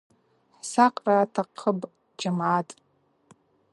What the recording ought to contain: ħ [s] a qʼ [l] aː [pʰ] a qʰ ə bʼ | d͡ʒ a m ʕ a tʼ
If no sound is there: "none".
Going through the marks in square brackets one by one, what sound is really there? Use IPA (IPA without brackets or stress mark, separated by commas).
s, r, tʰ